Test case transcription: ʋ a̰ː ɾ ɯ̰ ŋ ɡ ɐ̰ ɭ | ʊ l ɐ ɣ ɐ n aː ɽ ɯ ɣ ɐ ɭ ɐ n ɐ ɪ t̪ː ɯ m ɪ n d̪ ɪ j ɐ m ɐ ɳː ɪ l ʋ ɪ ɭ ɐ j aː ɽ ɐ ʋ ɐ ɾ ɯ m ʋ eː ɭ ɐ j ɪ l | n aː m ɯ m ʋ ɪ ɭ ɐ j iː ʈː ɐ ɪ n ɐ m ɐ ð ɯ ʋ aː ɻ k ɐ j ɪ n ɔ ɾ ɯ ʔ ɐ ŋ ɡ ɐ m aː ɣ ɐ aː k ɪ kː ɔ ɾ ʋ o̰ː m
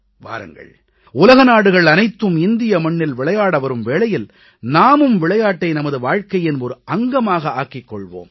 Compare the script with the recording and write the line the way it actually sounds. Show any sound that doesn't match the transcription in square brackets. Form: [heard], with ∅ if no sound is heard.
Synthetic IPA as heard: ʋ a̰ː ɾ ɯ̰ ŋ ɡ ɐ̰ ɭ | ʊ l ɐ ɣ ɐ n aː ɽ ɯ ɣ ɐ ɭ ɐ n ɐ ɪ t̪ː ɯ m ɪ n d̪ ɪ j ɐ m ɐ ɳː ɪ l ʋ ɪ ɭ ɐ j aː ɽ ɐ ʋ ɐ ɾ ɯ m ʋ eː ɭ ɐ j ɪ l | n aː m ɯ m ʋ ɪ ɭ ɐ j [aː] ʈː ɐ ɪ n ɐ m ɐ ð ɯ ʋ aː ɻ k ɐ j ɪ n ɔ ɾ ɯ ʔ ɐ ŋ ɡ ɐ m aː ɣ ɐ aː k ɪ kː ɔ [ɭ] ʋ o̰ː m